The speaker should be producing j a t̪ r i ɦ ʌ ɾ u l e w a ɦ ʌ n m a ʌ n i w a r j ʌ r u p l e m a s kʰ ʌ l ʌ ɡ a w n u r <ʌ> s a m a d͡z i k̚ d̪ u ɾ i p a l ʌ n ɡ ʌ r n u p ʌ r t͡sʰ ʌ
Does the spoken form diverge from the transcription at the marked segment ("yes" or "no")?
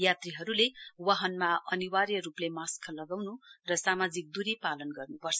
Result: no